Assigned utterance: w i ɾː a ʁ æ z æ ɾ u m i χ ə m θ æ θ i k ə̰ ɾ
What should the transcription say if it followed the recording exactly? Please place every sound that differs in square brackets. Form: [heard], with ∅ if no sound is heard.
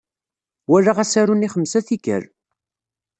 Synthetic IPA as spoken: w [æ] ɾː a ʁ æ [s] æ ɾ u [n] i χ ə m [s] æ θ i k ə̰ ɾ